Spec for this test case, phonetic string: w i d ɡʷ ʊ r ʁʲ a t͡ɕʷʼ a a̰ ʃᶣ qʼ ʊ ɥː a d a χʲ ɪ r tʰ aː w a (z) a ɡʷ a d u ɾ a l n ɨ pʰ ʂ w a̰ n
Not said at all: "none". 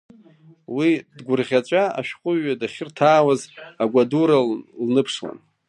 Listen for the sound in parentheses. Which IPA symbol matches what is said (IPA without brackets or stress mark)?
z